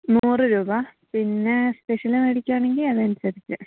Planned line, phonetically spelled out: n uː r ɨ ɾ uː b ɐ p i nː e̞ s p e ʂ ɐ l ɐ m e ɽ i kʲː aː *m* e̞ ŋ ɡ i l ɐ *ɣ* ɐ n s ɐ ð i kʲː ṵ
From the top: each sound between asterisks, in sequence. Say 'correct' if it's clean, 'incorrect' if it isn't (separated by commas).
incorrect, incorrect